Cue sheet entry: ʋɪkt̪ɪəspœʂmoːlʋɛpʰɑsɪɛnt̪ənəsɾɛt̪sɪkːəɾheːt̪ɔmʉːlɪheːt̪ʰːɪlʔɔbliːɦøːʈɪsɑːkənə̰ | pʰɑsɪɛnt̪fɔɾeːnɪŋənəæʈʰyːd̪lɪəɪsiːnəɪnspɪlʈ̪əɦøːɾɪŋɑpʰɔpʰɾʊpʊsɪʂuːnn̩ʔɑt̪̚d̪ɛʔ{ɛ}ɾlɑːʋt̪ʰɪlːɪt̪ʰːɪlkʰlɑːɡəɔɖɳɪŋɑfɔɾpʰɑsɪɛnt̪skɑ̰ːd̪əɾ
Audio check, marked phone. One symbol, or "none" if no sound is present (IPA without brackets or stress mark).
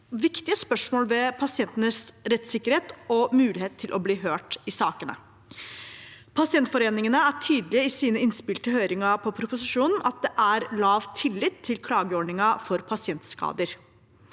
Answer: æ